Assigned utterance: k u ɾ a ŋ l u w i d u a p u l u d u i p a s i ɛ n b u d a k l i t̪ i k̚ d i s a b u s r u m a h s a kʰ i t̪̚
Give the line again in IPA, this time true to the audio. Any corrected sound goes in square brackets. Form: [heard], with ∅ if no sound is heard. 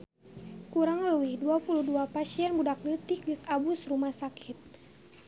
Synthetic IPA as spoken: k u ɾ a ŋ l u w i d u a p u l u d u [a] p a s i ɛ n b u d a k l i t̪ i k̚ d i s a b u s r u m a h s a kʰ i t̪̚